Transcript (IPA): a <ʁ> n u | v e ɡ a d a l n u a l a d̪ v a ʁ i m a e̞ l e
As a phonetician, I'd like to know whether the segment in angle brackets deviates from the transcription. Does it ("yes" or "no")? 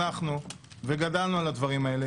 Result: yes